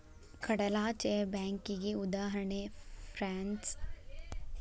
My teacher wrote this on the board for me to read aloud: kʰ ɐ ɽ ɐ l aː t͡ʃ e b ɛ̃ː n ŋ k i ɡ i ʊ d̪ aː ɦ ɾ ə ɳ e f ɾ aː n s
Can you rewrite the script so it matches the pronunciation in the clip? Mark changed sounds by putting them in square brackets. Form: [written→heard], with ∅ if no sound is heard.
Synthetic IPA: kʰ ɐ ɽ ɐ l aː t͡ʃ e b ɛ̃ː [n→∅] ŋ k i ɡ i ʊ d̪ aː ɦ ɾ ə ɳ e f ɾ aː n s

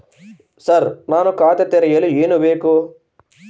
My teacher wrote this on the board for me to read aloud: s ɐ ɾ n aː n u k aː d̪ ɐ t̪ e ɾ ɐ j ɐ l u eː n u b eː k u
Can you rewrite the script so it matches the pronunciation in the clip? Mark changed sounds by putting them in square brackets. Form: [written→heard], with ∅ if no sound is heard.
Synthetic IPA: s ɐ ɾ n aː n u k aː [d̪→t̪] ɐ t̪ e ɾ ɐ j ɐ l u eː n u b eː k u

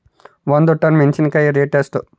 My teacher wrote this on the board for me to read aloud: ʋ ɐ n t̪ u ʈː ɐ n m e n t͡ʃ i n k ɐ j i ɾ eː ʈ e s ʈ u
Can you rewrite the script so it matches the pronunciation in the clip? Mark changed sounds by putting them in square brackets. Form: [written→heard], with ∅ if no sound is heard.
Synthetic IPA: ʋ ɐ n [t̪→d̪] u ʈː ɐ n m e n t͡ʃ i n k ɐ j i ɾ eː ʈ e s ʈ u

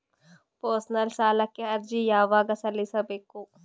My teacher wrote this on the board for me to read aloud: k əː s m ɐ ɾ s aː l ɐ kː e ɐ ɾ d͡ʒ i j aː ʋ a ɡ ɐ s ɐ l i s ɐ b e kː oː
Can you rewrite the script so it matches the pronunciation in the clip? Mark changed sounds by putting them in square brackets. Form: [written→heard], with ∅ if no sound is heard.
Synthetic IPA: [k→p] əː s [m→n] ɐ [ɾ→l] s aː l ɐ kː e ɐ ɾ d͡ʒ i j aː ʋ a ɡ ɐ s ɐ l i s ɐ b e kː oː

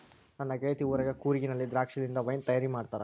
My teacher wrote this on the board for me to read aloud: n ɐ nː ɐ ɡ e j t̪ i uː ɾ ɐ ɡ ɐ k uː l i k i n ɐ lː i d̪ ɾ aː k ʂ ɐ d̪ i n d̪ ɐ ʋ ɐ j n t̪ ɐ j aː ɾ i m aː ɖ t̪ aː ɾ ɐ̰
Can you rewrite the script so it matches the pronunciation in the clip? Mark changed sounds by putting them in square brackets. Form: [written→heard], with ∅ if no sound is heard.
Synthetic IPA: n ɐ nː ɐ ɡ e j t̪ i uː ɾ ɐ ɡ ɐ k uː [l→ɾ] i [k→ɡ] i n ɐ lː i d̪ ɾ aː k ʂ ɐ d̪ i n d̪ ɐ ʋ ɐ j n t̪ ɐ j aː ɾ i m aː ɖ t̪ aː ɾ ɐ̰

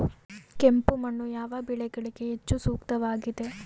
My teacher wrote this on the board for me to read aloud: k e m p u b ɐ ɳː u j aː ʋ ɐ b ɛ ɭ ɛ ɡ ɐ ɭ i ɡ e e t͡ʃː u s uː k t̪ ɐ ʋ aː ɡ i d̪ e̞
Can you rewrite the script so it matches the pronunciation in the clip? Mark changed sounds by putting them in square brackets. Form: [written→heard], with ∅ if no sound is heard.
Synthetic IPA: k e m p u [b→m] ɐ ɳː u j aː ʋ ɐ b [ɛ→i] ɭ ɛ ɡ ɐ ɭ i ɡ e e t͡ʃː u s uː k t̪ ɐ ʋ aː ɡ i d̪ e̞

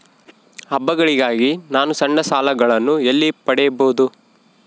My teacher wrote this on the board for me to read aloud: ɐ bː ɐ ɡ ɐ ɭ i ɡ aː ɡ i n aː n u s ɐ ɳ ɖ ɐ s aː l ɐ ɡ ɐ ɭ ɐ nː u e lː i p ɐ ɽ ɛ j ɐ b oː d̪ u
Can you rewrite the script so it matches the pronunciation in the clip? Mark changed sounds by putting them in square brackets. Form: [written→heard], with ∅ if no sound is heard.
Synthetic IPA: ɐ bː ɐ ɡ ɐ ɭ i ɡ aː ɡ i n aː n u s ɐ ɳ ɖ ɐ s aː l ɐ ɡ ɐ ɭ ɐ nː u e lː i p ɐ ɽ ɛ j ɐ b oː d̪ u

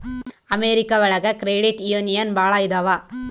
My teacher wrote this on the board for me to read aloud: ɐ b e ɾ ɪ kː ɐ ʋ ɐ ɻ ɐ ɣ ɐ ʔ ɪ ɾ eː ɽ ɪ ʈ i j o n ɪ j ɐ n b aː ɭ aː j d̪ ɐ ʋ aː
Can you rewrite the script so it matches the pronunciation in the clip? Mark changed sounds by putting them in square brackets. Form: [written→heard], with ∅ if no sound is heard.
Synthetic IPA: ɐ [b→m] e ɾ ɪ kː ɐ ʋ ɐ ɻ ɐ ɣ ɐ [ʔ→k] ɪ ɾ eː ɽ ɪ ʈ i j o n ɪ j ɐ n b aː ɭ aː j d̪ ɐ ʋ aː

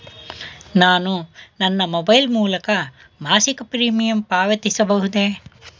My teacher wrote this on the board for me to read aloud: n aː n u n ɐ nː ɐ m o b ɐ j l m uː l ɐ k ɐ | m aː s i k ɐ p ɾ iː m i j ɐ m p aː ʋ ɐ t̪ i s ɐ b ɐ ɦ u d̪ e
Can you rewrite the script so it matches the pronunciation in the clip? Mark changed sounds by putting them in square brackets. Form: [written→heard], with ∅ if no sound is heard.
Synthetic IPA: n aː n u n ɐ nː ɐ m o b ɐ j l m uː l ɐ k ɐ | m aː s i k ɐ p ɾ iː m i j ɐ m p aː ʋ ɐ t̪ i s ɐ b ɐ ɦ u d̪ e

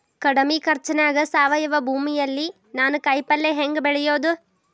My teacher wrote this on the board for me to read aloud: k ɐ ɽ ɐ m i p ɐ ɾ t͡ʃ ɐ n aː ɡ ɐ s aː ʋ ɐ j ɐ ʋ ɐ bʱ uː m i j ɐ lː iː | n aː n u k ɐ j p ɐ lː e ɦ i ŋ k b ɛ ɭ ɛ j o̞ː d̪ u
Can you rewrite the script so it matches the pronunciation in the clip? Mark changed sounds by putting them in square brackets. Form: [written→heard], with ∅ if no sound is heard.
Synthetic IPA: k ɐ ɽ ɐ m i [p→k] ɐ ɾ t͡ʃ ɐ n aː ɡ ɐ s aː ʋ ɐ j ɐ ʋ ɐ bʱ uː m i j ɐ lː [iː→i] | n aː n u k ɐ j p ɐ lː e ɦ [i→e] ŋ [k→ɡ] b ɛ ɭ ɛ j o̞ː d̪ u

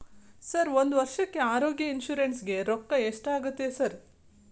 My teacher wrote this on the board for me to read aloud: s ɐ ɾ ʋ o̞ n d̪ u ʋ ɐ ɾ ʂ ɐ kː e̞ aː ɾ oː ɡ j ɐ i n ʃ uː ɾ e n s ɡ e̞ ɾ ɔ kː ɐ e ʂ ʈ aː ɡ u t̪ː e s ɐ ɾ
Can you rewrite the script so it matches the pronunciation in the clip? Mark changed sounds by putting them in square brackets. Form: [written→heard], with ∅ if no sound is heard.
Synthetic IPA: s ɐ ɾ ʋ o̞ n d̪ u ʋ ɐ ɾ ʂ ɐ kː e̞ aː ɾ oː ɡ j ɐ i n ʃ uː ɾ e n s ɡ e̞ ɾ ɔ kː ɐ e ʂ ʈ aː ɡ u t̪ː e s ɐ ɾ

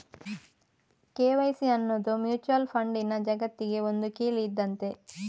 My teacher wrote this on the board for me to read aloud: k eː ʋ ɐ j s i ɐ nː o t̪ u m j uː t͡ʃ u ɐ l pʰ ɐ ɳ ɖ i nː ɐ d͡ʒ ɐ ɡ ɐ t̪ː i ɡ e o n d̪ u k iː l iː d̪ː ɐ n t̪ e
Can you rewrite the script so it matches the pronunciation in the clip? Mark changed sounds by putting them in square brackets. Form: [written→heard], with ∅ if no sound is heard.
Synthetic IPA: k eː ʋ ɐ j s i ɐ nː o [t̪→d̪] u m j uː t͡ʃ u ɐ l pʰ ɐ ɳ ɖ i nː ɐ d͡ʒ ɐ ɡ ɐ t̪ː i ɡ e o n d̪ u k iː l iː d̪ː ɐ n t̪ e

